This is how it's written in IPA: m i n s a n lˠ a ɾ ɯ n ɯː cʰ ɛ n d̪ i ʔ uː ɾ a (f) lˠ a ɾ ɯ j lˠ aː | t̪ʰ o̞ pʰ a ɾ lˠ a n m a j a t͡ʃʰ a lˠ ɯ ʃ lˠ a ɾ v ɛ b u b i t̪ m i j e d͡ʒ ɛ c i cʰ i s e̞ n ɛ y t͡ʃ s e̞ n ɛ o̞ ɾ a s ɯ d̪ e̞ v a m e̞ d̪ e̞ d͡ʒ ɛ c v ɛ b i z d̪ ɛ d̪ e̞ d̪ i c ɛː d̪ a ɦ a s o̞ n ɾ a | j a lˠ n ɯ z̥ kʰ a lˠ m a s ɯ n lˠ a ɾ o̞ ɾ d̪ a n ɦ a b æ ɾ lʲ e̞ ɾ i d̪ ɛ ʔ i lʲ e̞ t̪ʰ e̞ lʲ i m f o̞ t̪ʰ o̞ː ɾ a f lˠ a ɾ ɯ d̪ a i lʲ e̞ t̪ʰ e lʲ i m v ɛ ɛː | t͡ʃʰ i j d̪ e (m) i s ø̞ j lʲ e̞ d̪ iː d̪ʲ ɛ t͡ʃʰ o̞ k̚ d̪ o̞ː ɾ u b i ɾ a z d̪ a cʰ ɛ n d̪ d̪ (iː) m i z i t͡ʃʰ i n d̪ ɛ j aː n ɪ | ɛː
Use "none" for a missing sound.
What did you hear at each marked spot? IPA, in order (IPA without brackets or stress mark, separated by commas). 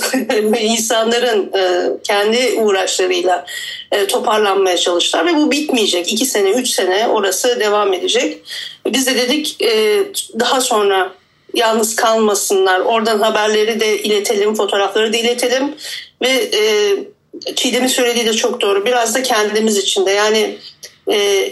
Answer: ʃ, m, i